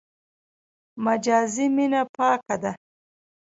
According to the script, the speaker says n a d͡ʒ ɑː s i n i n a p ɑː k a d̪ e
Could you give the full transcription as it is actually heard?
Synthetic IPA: m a d͡ʒ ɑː z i m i n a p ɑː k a d̪ a